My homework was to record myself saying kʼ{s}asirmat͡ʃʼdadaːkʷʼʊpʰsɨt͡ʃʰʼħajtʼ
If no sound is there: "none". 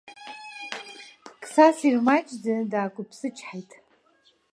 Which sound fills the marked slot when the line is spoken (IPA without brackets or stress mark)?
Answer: s